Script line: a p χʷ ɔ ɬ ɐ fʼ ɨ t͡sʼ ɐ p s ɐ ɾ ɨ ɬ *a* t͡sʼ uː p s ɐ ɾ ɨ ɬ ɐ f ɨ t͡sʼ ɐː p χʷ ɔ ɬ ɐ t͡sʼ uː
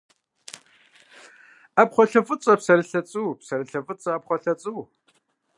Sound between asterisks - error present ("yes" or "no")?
yes